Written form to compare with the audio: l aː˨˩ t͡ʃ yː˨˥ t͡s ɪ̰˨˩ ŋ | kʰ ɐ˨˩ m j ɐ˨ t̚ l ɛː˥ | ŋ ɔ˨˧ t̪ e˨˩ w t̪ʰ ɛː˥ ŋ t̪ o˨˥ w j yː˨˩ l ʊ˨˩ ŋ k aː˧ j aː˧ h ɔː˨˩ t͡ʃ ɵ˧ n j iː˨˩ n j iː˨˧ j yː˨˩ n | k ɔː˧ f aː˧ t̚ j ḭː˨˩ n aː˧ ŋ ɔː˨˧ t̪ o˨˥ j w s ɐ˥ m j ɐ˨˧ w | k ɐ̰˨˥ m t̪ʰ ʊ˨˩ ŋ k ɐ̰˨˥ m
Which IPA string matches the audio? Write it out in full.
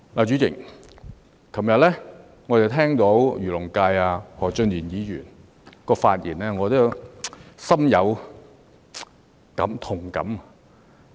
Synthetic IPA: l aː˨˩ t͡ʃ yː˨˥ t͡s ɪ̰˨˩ ŋ | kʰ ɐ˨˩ m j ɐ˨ t̚ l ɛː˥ | ŋ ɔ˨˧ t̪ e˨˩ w t̪ʰ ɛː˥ ŋ t̪ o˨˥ w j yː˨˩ l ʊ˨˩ ŋ k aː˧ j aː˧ h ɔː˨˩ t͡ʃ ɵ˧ n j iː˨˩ n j iː˨˧ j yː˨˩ n | k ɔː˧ f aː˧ t̚ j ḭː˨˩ n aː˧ ŋ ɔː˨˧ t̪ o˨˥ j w s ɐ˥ m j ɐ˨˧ w | k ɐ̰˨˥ m t̪ʰ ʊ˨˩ ŋ k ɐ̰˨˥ m

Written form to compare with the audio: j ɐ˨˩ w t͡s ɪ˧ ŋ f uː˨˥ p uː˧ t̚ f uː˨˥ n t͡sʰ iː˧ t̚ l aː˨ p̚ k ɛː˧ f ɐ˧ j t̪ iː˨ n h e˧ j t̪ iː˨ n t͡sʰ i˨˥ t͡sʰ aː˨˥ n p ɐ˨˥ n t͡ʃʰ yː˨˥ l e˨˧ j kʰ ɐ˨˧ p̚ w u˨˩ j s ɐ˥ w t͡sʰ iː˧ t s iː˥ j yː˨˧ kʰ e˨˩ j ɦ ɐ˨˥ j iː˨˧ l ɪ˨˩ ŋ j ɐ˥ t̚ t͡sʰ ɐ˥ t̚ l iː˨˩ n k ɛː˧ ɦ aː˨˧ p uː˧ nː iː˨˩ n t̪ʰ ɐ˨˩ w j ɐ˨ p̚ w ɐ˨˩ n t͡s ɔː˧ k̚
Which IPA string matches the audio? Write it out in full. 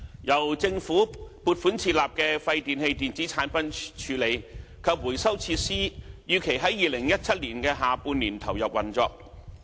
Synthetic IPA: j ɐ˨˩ w t͡s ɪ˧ ŋ f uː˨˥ p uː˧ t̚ f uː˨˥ n t͡sʰ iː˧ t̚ l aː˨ p̚ k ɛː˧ f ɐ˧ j t̪ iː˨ n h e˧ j t̪ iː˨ n t͡s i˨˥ t͡sʰ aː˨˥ n p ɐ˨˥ n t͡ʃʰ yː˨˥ l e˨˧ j kʰ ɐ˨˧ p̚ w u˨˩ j s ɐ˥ w t͡sʰ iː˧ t s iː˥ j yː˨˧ kʰ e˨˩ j ɦ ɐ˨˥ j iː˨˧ l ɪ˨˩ ŋ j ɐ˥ t̚ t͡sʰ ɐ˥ t̚ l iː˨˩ n k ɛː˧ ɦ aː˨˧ p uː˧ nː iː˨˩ n t̪ʰ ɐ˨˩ w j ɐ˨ p̚ w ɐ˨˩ n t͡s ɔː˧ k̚

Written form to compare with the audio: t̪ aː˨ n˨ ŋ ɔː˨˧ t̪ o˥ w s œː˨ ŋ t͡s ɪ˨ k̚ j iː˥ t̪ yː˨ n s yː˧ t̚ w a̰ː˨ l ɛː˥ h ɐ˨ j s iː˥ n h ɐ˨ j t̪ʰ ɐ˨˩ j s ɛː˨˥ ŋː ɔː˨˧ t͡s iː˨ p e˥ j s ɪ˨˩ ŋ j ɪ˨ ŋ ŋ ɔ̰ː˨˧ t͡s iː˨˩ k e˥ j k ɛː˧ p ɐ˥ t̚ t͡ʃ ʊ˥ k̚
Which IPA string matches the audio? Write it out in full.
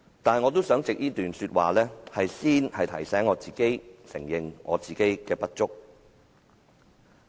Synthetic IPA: t̪ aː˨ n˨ ŋ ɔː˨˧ t̪ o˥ w s œː˨˥ ŋ t͡s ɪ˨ k̚ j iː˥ t̪ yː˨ n s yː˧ t̚ w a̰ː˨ l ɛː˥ h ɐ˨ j s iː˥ n h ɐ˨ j t̪ʰ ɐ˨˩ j s ɛː˨˥ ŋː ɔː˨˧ t͡s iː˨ k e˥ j s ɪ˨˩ ŋ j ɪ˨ ŋ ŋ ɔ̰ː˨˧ t͡s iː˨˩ k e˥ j k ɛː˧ p ɐ˥ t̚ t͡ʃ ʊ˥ k̚

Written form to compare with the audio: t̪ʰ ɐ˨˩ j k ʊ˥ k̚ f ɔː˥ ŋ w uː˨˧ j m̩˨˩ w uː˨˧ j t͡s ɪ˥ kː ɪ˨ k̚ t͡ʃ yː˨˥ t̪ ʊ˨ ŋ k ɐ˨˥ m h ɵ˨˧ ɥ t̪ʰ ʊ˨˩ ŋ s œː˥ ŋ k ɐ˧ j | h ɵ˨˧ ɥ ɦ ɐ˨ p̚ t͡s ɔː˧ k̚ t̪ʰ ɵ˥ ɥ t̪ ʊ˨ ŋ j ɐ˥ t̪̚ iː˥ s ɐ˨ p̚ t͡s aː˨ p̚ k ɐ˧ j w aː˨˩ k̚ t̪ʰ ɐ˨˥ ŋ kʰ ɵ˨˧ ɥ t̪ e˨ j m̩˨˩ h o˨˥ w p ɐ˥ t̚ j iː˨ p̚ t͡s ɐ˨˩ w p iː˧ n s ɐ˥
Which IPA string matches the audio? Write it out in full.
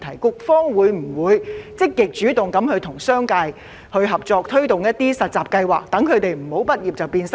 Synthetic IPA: t̪ʰ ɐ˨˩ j k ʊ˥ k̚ f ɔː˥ ŋ w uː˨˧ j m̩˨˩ w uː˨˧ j t͡s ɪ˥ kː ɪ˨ k̚ t͡ʃ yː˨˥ t̪ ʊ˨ ŋ k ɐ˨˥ m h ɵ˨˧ ɥ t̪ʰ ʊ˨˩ ŋ s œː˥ ŋ k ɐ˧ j | h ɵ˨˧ ɥ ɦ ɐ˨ p̚ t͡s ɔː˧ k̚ t̪ʰ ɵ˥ ɥ t̪ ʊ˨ ŋ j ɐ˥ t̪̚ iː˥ s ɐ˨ t̚ t͡s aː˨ p̚ k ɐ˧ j w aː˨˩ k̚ t̪ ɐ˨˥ ŋ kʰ ɵ˨˧ ɥ t̪ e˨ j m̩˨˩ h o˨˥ w p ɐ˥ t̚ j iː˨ p̚ t͡s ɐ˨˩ w p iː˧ n s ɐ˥

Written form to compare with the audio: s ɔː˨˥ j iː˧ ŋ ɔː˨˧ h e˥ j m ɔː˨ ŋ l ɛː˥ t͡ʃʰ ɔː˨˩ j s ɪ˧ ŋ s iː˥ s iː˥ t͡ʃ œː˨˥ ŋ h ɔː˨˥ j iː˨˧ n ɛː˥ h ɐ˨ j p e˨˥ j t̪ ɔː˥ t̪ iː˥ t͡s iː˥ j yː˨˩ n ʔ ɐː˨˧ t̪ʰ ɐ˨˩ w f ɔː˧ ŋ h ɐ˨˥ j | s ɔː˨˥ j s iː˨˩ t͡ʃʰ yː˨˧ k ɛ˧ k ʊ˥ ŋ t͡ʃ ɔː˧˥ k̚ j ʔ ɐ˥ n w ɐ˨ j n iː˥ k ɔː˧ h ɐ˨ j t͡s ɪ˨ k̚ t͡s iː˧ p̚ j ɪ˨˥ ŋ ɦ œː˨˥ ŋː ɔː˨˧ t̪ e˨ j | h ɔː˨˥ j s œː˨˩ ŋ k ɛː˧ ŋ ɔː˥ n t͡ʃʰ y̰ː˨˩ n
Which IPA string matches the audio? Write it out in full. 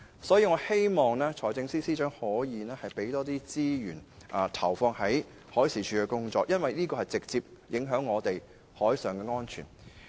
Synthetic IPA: s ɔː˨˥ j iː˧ ŋ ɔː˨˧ h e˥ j m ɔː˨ ŋ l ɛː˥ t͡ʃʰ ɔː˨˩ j t͡s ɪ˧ ŋ s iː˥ s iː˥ t͡ʃ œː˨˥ ŋ h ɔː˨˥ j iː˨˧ n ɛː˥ h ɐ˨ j p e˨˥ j t̪ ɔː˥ t̪ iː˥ t͡s iː˥ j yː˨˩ n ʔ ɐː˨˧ t̪ʰ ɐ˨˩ w f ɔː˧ ŋ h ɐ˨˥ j | h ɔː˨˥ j s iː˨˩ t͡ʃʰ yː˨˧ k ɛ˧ k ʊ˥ ŋ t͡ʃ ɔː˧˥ k̚ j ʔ ɐ˥ n w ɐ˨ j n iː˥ k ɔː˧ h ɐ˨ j t͡s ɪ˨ k̚ t͡s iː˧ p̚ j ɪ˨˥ ŋ ɦ œː˨˥ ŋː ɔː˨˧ t̪ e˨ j | h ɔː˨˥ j s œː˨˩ ŋ k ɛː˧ ŋ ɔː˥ n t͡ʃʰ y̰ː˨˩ n

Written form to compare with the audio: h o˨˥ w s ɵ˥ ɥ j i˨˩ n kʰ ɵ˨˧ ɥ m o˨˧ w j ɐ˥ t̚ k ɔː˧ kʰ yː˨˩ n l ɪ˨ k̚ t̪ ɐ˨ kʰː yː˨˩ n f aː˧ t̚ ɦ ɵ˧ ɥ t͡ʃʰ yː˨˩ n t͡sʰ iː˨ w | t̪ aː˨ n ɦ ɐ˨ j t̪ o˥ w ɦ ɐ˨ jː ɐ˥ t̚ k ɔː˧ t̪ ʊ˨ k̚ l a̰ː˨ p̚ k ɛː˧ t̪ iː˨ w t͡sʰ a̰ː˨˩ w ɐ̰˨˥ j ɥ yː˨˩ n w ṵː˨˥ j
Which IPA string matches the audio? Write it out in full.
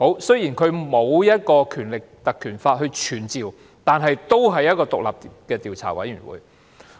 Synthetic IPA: h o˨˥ w s ɵ˥ ɥ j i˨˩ n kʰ ɵ˨˧ ɥ m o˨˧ w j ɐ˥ t̚ k ɔː˧ kʰ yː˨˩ n l ɪ˨ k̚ t̪ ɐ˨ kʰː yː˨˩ n f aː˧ t̚ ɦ ɵ˧ ɥ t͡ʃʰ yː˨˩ n t͡s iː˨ w | t̪ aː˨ n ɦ ɐ˨ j t̪ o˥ w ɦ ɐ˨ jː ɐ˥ t̚ k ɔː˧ t̪ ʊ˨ k̚ l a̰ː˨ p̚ k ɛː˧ t̪ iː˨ w t͡sʰ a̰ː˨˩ w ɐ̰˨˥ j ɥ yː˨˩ n w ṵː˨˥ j

